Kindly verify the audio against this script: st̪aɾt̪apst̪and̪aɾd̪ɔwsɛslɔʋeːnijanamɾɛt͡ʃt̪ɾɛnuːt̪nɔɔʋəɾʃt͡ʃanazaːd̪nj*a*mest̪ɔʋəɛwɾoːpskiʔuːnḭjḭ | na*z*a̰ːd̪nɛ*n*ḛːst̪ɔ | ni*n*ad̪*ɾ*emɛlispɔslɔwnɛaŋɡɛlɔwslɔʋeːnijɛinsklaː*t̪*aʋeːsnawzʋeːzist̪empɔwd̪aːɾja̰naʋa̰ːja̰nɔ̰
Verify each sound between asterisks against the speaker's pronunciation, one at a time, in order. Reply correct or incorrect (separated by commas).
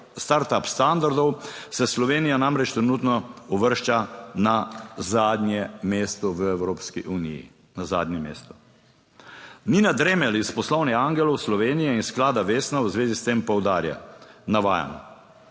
incorrect, correct, incorrect, correct, correct, incorrect